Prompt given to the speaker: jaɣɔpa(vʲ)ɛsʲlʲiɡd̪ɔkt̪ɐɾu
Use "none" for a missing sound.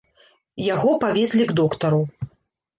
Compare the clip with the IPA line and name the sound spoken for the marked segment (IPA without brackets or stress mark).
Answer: vʲ